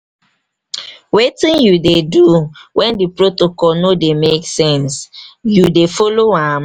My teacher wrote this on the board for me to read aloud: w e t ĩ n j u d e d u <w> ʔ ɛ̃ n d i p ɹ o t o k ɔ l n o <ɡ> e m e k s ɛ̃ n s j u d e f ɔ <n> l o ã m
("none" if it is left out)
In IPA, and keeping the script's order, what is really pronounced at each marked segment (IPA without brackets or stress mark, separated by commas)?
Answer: w, d, none